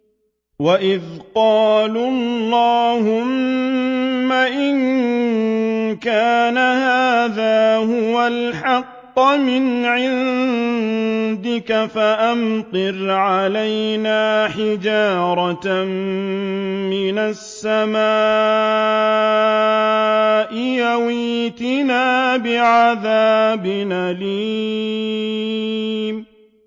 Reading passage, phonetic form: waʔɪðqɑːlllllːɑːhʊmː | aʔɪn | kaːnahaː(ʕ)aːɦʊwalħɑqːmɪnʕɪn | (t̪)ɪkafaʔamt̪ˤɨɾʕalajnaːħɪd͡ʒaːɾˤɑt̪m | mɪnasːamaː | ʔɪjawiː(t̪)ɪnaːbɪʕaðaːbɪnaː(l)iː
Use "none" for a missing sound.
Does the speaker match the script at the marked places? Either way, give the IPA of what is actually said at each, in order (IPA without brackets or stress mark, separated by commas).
ð, d̪, t̪, l